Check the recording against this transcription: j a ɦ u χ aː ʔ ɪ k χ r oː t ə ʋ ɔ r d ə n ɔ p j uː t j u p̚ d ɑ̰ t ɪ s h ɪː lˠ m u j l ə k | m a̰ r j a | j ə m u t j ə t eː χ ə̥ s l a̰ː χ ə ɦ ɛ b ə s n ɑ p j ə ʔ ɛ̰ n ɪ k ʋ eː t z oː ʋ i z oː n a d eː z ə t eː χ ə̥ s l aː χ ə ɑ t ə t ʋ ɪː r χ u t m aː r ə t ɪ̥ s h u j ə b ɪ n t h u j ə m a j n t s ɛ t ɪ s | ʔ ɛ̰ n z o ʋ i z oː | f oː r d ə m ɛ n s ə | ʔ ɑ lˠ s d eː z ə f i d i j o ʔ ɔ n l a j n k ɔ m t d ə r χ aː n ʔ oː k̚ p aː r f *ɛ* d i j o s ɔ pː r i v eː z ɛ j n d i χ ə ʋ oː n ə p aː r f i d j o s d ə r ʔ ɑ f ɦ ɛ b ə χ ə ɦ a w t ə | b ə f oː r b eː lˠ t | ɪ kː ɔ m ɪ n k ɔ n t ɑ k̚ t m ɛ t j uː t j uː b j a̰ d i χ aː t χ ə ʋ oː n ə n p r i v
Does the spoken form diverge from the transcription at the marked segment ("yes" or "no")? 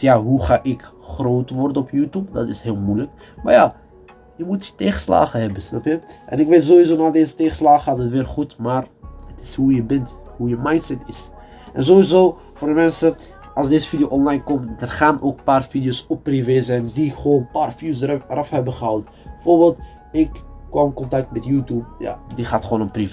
yes